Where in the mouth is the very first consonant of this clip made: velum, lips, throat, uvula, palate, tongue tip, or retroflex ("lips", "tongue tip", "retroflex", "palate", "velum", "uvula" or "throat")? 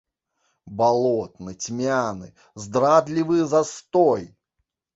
lips